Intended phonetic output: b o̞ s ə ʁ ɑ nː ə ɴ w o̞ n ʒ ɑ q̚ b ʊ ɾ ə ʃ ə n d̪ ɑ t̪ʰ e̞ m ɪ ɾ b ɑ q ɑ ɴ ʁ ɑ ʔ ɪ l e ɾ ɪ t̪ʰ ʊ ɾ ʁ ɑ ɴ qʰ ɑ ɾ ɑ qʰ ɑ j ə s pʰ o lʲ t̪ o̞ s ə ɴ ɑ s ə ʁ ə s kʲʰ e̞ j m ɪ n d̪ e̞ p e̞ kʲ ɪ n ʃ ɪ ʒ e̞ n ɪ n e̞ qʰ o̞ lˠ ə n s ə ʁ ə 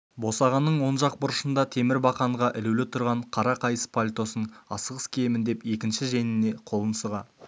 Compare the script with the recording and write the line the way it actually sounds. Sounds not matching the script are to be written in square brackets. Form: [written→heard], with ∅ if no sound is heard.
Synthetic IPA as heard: b o̞ s [ə→ɑ] ʁ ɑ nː ə ɴ w o̞ n ʒ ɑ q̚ b ʊ ɾ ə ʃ ə n d̪ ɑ t̪ʰ e̞ m ɪ ɾ b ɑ q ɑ ɴ ʁ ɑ ʔ ɪ l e [ɾ→l] ɪ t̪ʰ ʊ ɾ ʁ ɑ ɴ qʰ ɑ ɾ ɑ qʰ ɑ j ə s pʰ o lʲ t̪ o̞ s ə ɴ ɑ s ə ʁ ə s kʲʰ e̞ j m ɪ n d̪ e̞ p e̞ kʲ ɪ n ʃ ɪ ʒ e̞ n ɪ n e̞ qʰ o̞ lˠ ə n s ə ʁ [ə→ɑ]